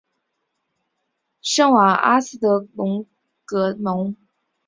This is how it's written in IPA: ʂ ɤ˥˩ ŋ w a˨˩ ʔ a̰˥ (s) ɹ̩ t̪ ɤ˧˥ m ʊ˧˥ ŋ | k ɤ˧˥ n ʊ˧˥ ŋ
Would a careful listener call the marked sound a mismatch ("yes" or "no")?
no